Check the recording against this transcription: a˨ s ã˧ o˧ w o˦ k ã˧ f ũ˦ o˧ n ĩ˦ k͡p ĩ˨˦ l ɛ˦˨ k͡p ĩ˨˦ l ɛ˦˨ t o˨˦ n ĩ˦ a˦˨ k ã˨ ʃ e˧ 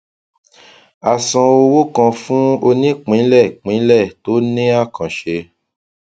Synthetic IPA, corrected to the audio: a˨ s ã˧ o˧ w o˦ k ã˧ f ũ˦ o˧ n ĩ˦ k͡p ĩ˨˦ l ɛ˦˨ k͡p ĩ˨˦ l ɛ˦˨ t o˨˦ n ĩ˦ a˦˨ k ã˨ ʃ e˧